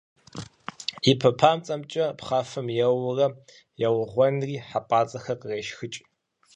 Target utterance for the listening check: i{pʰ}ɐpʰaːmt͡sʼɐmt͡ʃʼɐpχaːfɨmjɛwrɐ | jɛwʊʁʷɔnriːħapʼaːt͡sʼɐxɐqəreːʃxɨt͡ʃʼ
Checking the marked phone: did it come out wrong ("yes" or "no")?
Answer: no